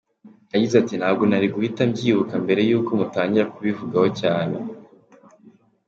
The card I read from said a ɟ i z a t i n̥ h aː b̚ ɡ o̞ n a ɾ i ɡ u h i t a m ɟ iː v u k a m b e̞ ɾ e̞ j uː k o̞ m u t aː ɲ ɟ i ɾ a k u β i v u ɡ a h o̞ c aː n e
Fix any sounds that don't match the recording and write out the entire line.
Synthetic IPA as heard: a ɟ i z a t i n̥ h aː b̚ ɡ o̞ n a ɾ i ɡ u h i t a m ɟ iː β u k a m b e̞ ɾ e̞ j uː k o̞ m u t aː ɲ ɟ i ɾ a k u β i v u ɡ a h o̞ c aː n e